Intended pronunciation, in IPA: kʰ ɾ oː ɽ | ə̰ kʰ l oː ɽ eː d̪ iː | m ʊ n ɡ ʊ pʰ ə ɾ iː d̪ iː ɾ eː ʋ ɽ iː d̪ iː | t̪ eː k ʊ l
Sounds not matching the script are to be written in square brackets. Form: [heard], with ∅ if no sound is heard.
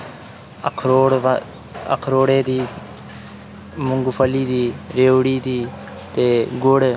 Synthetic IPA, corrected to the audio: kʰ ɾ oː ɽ | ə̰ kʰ [ɾ] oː ɽ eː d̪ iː | m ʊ [ŋ] ɡ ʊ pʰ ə [l] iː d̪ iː ɾ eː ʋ ɽ iː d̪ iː | t̪ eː [ɡ] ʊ [ɽ]